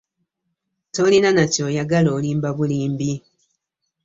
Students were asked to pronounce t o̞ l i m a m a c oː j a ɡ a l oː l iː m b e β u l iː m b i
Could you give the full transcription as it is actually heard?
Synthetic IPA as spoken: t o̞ l i n a n a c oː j a ɡ a l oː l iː m b a β u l iː m b i